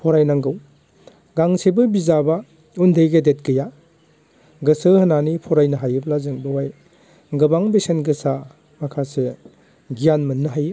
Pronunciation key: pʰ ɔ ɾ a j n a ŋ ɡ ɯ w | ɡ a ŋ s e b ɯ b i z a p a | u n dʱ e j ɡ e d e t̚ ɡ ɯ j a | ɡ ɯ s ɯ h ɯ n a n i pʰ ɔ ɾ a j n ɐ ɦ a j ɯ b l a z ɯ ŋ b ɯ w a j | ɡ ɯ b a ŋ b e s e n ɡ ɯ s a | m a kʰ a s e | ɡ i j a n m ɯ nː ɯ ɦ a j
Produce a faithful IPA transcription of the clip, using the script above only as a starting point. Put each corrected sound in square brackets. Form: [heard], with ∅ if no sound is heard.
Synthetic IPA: pʰ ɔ ɾ a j n a ŋ ɡ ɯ w | ɡ a ŋ s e b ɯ b i z a [b] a | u n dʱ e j ɡ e d e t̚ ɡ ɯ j a | ɡ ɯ s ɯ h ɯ n a n i pʰ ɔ ɾ a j n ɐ ɦ a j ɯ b l a z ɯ ŋ b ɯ w a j | ɡ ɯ b a ŋ b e s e n ɡ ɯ s a | m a kʰ a s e | ɡ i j a n m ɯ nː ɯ ɦ a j